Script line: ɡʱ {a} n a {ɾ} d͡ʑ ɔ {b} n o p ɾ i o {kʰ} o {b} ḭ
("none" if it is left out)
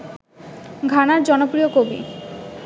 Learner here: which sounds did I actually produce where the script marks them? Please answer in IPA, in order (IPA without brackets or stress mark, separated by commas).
a, ɾ, none, k, b